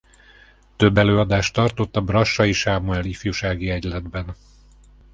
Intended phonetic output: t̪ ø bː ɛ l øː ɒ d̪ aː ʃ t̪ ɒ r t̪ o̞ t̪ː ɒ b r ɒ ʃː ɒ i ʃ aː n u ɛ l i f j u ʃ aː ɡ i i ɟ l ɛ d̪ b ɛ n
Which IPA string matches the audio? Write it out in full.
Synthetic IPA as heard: t̪ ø bː ɛ l øː ɒ d̪ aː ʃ t̪ ɒ r t̪ o̞ t̪ː ɒ b r ɒ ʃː ɒ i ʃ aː m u ɛ l i f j u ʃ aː ɡ i ɛ ɟ l ɛ d̪ b ɛ n

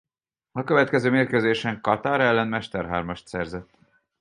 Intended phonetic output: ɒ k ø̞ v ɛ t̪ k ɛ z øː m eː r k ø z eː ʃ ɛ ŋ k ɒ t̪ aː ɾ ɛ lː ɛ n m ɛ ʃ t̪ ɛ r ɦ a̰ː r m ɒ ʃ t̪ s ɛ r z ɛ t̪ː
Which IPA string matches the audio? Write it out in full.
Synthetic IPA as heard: ɒ k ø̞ v ɛ t̪ k ɛ z øː m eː r k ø z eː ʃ ɛ ŋ k ɒ t̪ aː ɾ ɛ lː ɛ n m ɛ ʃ t̪ ɛ r ɦ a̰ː r m ɒ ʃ t̪ s ɛ r z ɛ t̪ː

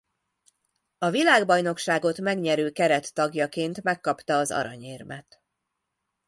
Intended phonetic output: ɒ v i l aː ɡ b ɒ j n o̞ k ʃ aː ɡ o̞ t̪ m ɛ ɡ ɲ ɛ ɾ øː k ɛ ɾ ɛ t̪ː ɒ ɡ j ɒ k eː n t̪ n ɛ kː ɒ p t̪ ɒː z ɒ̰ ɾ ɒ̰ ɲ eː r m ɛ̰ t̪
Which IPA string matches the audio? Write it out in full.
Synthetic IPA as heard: ɒ v i l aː ɡ b ɒ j n o̞ k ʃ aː ɡ o̞ t̪ m ɛ ɡ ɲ ɛ ɾ øː k ɛ ɾ ɛ t̪ː ɒ ɡ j ɒ k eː n t̪ m ɛ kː ɒ p t̪ ɒː z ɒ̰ ɾ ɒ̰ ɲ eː r m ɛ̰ t̪

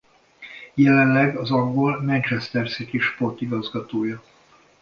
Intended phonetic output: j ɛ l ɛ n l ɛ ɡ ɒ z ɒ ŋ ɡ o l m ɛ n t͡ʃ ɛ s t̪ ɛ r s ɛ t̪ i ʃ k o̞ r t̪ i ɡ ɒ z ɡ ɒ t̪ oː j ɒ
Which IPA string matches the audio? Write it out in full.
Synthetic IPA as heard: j ɛ l ɛ n l ɛ ɡ ɒ z ɒ ŋ ɡ o l m ɛ n t͡ʃ ɛ s t̪ ɛ r s i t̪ i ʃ p o̞ r t̪ i ɡ ɒ z ɡ ɒ t̪ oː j ɒ

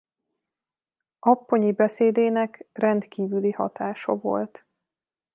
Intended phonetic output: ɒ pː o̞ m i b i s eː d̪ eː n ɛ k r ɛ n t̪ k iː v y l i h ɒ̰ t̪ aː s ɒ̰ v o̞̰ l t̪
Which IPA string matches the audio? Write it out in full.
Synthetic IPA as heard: ɒ pː o̞ ɲ i b ɛ s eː d̪ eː n ɛ k r ɛ n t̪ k iː v y l i h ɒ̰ t̪ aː ʃ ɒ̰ v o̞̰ l t̪

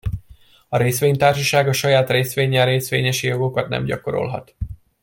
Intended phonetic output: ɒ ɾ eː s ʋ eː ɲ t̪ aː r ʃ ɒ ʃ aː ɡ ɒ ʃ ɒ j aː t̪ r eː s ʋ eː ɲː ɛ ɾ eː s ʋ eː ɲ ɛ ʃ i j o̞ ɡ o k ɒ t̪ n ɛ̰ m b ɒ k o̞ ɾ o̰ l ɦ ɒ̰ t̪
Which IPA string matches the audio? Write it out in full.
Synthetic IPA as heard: ɒ ɾ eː s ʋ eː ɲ t̪ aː r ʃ ɒ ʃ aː ɡ ɒ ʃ ɒ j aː t̪ r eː s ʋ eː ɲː ɛ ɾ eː s ʋ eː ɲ ɛ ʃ i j o̞ ɡ o k ɒ t̪ n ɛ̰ m ɟ ɒ k o̞ ɾ o̰ l ɦ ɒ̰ t̪

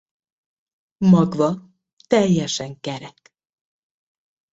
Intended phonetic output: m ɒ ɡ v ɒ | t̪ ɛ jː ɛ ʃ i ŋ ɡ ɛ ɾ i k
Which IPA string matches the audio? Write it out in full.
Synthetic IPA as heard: m ɒ ɡ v ɒ | t̪ ɛ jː ɛ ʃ ɛ ŋ k ɛ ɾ ɛ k

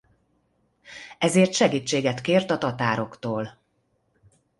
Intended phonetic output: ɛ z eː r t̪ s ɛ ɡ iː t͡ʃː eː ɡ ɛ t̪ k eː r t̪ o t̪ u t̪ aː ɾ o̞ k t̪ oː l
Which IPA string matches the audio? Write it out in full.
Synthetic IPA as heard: ɛ z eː r t̪ ʃ ɛ ɡ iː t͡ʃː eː ɡ ɛ t̪ k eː r t̪ ɒ t̪ ɒ t̪ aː ɾ o̞ k t̪ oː l

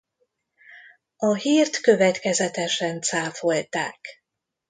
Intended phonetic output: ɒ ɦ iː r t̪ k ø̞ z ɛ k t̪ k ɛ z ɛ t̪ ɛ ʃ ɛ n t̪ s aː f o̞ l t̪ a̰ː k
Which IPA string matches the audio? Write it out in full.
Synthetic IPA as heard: ɒ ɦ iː r t̪ k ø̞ v ɛ t̪ k ɛ z ɛ t̪ ɛ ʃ ɛ n t̪ s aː f o̞ l t̪ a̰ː k

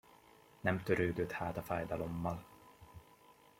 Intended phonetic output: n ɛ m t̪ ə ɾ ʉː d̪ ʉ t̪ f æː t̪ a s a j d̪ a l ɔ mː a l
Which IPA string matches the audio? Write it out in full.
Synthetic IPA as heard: n ɛ m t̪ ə ɾ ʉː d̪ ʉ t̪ h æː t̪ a f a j d̪ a l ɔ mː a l

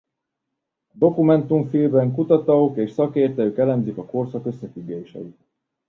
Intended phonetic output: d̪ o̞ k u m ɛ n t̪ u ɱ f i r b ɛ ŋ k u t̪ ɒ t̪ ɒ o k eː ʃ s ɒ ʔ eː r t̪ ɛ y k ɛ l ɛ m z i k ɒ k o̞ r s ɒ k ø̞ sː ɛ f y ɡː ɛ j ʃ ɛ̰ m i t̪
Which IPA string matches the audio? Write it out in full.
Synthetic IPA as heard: d̪ o̞ k u m ɛ n t̪ u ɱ f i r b ɛ ŋ k u t̪ ɒ t̪ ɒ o k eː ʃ s ɒ k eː r t̪ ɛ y k ɛ l ɛ m z i k ɒ k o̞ r s ɒ k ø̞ sː ɛ f y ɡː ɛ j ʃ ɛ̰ i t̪

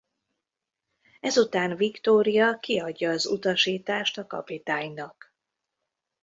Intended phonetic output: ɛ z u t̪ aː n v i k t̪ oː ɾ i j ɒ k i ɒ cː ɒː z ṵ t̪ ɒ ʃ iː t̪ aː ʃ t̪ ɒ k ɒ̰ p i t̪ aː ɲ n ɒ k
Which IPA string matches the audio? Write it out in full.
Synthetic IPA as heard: ɛ z u t̪ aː n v i k t̪ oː ɾ i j ɒ k i ɒ ɟː ɒː z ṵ t̪ ɒ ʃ iː t̪ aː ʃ t̪ ɒ k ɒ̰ p i t̪ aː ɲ n ɒ k

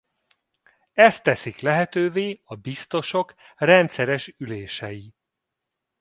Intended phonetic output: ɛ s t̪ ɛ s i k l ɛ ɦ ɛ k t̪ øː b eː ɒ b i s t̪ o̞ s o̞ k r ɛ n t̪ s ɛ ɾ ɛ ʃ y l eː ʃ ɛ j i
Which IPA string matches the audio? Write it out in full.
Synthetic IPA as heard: ɛ s t̪ ɛ s i k l ɛ ɦ ɛ t̪ øː v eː ɒ b i s t̪ o̞ ʃ o̞ k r ɛ n t̪ s ɛ ɾ ɛ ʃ y l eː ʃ ɛ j i

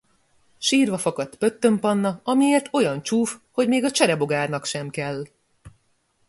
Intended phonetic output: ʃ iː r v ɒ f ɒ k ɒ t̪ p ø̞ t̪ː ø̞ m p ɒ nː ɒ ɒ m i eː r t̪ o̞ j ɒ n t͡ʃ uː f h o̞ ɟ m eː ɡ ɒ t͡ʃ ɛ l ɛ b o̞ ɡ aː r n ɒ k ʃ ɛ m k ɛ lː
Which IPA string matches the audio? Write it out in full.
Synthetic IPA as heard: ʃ iː r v ɒ f ɒ k ɒ t̪ p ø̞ t̪ː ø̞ m p ɒ nː ɒ ɒ m i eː r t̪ o̞ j ɒ n t͡ʃ uː f h o̞ ɟ m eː ɡ ɒ t͡ʃ ɛ ɾ ɛ b o̞ ɡ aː r n ɒ k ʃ ɛ m k ɛ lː

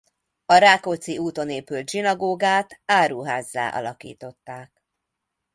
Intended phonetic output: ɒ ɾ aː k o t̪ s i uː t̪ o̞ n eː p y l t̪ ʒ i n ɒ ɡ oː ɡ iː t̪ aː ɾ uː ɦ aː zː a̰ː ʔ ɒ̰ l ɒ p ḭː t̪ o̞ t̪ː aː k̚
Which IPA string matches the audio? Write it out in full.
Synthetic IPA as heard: ɒ ɾ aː k o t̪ s i uː t̪ o̞ n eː p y l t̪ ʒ i n ɒ ɡ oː ɡ aː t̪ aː ɾ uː ɦ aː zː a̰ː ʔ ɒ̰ l ɒ k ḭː t̪ o̞ t̪ː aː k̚

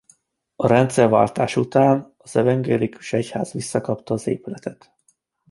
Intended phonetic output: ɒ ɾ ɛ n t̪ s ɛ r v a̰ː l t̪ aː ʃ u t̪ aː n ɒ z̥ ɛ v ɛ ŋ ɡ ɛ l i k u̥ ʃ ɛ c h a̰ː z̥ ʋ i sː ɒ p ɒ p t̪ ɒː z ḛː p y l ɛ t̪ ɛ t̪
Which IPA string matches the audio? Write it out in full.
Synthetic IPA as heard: ɒ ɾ ɛ n t̪ s ɛ r v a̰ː l t̪ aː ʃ u t̪ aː n ɒ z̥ ɛ v ɛ ŋ ɡ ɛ l i k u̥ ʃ ɛ c h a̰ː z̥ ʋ i sː ɒ k ɒ p t̪ ɒː z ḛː p y l ɛ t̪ ɛ t̪

